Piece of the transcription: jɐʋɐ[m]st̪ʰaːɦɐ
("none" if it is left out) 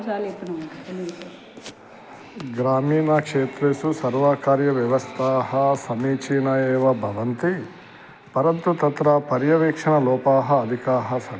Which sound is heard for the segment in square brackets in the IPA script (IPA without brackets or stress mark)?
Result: none